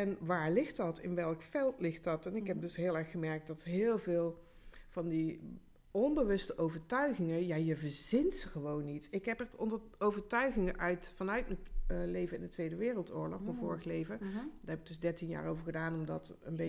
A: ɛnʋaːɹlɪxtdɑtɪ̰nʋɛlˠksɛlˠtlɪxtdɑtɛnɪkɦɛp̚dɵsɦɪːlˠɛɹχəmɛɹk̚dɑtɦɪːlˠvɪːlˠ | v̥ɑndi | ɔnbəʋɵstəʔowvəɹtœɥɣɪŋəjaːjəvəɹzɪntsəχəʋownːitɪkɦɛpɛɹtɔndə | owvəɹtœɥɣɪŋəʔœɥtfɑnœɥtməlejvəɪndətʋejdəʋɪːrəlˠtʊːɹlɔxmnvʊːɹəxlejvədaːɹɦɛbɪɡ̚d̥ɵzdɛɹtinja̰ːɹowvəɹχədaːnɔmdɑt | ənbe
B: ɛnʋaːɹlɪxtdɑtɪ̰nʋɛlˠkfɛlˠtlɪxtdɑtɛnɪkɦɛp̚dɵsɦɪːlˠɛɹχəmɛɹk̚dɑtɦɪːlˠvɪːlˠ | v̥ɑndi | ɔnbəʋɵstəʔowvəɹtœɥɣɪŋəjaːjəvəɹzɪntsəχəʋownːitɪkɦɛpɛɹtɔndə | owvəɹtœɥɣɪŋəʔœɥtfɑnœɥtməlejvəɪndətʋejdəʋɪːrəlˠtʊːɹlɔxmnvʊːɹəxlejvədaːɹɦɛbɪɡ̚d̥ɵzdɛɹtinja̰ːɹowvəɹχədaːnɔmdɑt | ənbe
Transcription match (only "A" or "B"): B